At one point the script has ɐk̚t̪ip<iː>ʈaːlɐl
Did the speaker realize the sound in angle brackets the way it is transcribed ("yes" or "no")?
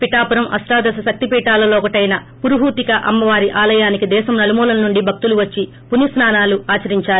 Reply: yes